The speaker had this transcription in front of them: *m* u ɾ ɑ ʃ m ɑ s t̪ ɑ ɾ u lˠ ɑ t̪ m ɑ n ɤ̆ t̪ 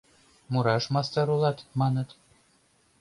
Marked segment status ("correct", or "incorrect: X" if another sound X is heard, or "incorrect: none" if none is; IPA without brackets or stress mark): correct